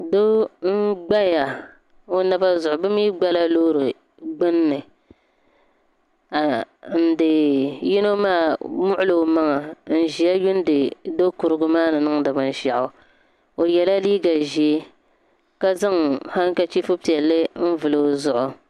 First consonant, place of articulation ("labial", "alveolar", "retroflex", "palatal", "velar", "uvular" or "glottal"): alveolar